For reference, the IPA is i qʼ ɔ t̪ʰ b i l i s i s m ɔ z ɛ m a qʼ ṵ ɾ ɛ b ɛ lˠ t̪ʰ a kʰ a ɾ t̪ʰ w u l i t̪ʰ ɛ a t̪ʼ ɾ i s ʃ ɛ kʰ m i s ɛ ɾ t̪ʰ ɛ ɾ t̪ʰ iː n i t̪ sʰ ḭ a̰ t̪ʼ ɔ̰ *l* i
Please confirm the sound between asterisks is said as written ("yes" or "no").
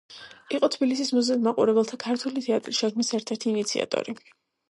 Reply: no